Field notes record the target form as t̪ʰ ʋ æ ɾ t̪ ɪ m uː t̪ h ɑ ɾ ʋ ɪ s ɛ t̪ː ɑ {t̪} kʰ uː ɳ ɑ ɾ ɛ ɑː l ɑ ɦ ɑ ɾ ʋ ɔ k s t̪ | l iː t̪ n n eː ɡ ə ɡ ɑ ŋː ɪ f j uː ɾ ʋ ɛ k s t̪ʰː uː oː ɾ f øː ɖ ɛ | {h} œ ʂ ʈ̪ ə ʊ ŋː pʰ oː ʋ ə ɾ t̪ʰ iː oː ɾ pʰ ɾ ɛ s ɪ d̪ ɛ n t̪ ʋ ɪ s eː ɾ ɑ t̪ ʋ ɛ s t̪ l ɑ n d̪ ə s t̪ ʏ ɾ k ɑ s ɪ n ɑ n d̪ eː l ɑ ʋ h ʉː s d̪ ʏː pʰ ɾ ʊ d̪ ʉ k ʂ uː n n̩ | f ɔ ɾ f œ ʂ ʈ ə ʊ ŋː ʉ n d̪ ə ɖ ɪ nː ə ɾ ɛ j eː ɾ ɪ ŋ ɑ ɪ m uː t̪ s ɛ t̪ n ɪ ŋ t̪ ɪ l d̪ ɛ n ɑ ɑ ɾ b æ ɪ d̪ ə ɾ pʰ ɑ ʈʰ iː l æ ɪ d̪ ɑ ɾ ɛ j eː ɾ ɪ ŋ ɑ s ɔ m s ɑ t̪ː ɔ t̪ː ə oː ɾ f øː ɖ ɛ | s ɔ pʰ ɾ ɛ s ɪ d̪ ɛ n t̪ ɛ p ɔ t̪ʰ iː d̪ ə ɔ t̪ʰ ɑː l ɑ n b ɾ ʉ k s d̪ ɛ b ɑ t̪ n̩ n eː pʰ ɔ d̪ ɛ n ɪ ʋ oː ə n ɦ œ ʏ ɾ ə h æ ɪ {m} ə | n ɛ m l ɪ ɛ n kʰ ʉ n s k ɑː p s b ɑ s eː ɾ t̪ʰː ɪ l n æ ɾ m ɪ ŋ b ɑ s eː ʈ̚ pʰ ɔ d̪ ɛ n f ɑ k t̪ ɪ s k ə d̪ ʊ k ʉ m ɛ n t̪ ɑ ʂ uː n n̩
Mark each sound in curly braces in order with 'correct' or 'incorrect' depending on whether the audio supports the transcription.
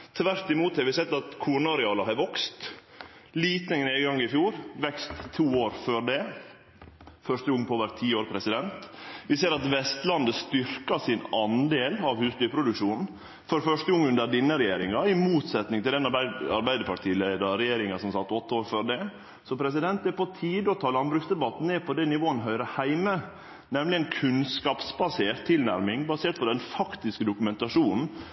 correct, incorrect, correct

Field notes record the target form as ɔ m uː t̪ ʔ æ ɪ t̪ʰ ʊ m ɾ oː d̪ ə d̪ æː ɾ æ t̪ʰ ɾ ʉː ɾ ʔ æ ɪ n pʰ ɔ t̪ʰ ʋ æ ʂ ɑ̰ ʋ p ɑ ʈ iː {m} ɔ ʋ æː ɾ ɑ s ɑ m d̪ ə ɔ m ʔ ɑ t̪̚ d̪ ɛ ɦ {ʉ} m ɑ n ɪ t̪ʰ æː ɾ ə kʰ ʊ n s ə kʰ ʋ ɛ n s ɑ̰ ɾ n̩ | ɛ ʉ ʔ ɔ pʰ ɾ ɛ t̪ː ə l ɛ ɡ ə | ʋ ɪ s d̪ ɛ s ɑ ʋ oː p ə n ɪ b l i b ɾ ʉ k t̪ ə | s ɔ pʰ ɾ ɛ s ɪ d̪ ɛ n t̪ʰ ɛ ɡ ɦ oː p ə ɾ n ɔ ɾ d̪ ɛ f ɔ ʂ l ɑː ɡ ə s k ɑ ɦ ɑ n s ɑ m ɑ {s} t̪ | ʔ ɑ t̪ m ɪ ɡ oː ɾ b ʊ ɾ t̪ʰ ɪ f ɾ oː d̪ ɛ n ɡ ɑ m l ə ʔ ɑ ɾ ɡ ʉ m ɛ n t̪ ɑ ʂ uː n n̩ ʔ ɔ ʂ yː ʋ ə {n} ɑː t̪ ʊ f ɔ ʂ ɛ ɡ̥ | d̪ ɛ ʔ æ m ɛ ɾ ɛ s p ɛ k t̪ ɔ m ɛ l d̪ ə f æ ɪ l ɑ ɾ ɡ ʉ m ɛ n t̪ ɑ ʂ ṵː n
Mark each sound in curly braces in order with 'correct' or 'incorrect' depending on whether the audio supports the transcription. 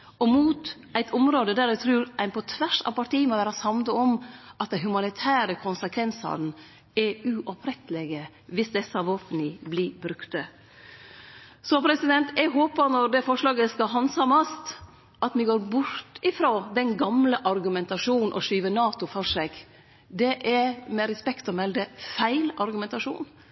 correct, correct, correct, correct

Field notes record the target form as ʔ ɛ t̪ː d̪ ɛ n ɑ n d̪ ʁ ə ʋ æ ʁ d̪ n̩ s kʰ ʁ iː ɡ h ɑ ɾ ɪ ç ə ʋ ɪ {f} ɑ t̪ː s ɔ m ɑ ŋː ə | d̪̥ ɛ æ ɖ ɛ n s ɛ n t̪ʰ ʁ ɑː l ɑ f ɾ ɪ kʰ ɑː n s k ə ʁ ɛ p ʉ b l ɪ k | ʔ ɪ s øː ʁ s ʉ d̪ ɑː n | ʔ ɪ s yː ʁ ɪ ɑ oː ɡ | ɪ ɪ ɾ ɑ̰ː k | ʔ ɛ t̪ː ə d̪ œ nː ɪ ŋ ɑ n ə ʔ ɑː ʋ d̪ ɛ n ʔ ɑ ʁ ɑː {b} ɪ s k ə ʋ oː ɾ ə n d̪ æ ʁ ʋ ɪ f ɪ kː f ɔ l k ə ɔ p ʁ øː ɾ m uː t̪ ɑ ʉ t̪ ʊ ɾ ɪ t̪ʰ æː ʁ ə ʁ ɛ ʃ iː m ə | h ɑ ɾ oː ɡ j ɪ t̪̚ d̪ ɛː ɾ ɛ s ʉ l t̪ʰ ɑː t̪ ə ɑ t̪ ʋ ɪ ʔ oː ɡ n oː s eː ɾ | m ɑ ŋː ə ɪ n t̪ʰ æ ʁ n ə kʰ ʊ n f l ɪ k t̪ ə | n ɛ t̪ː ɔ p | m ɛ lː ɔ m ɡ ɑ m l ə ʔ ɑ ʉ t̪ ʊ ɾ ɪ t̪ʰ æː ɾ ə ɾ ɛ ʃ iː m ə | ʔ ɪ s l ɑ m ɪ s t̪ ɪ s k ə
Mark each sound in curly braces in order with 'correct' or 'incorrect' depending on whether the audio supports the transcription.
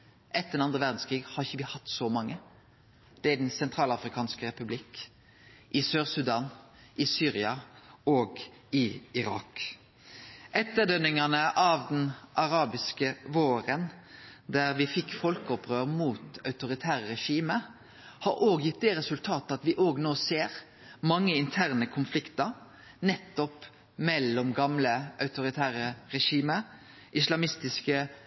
incorrect, correct

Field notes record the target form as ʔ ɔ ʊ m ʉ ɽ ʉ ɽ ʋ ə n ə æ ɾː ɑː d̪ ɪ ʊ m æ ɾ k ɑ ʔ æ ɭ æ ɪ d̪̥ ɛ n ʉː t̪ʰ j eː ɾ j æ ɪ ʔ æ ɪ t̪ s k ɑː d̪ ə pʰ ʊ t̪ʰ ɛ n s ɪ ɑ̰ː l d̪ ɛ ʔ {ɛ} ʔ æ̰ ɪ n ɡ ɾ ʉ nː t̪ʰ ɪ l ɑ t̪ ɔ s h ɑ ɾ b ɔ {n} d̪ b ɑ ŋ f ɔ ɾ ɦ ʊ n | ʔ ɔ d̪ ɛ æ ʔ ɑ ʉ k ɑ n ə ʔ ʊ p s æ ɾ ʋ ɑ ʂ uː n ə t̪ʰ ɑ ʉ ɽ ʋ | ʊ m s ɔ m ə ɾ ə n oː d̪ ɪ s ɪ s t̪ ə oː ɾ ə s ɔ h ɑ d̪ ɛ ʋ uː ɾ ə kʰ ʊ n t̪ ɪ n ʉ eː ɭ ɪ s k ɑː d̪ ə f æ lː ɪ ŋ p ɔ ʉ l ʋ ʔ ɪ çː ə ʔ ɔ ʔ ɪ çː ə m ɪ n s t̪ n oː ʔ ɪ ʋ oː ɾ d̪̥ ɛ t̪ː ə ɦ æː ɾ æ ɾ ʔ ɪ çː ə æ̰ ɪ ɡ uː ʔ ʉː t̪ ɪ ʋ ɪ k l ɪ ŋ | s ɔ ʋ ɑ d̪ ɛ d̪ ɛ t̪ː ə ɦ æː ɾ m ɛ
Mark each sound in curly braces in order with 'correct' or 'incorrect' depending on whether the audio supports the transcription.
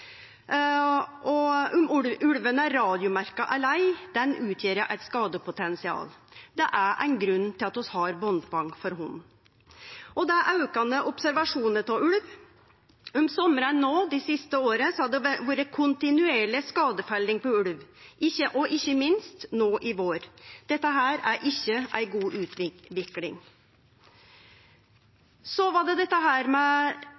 incorrect, correct

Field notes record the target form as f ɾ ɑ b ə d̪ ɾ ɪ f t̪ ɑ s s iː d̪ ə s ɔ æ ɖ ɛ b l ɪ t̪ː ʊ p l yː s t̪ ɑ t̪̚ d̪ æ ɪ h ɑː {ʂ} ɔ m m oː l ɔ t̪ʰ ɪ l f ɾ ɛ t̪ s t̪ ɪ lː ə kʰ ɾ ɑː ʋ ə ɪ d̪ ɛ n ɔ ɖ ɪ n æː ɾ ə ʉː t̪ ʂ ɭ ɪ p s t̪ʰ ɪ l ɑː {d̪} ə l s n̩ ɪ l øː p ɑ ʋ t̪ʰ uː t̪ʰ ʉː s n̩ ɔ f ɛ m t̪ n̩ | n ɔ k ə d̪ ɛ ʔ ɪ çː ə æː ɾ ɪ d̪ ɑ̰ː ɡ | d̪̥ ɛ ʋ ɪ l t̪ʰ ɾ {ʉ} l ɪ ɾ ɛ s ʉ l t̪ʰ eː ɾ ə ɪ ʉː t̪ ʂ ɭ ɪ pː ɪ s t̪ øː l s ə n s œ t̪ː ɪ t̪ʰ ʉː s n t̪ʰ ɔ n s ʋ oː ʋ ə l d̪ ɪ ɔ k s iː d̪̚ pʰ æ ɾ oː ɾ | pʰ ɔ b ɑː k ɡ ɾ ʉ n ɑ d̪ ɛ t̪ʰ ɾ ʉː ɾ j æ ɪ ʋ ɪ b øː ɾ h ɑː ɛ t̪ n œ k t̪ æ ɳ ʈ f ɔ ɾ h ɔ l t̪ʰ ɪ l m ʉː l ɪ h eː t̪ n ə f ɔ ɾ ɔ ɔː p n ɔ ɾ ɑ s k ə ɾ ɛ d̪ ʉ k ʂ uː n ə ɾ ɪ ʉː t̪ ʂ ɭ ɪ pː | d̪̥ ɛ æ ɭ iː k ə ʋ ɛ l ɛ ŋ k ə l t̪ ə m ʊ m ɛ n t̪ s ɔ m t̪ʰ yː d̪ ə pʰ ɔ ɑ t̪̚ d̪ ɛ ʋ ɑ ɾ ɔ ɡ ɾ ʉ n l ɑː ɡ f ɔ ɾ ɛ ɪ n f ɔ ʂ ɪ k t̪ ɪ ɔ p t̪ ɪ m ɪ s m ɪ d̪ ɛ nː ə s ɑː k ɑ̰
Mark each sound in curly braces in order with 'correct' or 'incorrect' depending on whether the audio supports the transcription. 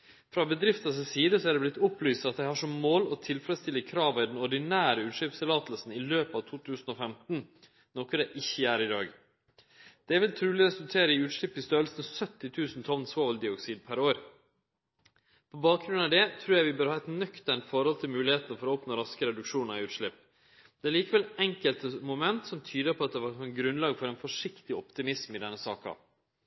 correct, incorrect, incorrect

